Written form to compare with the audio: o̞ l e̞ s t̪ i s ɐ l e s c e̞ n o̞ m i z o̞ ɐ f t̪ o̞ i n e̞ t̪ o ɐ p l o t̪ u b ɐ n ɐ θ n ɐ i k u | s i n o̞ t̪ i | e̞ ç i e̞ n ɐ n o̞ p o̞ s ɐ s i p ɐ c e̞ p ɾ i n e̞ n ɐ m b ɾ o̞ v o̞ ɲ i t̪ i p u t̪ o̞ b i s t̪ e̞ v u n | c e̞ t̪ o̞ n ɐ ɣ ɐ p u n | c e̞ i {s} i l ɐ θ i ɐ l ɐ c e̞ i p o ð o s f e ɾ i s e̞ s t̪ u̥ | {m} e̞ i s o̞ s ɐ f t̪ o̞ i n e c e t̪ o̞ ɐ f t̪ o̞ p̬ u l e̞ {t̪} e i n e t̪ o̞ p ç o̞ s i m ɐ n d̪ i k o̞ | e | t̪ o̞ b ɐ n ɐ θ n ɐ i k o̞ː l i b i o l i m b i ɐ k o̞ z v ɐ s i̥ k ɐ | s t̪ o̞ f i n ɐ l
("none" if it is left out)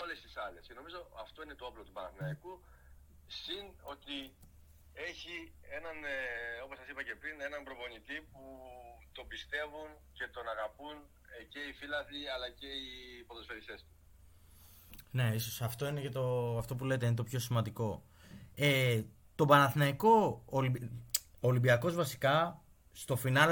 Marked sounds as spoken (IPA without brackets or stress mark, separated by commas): f, n, t̪